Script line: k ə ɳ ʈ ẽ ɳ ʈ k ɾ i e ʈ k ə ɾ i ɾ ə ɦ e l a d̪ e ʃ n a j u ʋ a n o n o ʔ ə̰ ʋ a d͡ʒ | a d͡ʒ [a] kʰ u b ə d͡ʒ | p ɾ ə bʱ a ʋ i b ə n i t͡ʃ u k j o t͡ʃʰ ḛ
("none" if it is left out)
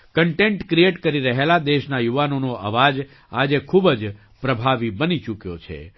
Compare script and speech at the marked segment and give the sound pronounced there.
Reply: e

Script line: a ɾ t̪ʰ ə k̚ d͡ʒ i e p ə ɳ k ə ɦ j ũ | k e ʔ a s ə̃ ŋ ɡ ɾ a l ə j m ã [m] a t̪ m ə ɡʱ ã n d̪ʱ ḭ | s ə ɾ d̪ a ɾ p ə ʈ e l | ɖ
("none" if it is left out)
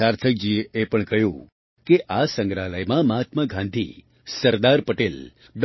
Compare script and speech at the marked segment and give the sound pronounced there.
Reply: m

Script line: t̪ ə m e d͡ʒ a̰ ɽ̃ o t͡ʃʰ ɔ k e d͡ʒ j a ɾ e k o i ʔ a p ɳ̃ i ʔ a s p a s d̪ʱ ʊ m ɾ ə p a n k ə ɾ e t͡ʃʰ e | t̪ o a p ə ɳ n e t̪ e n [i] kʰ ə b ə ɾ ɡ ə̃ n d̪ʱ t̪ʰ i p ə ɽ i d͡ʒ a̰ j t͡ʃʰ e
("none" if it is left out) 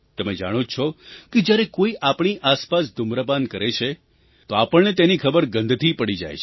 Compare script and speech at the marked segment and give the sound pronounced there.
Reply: i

